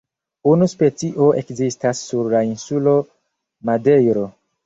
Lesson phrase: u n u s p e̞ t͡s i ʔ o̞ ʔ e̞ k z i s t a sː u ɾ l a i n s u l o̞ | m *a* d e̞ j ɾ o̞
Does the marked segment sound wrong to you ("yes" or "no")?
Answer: no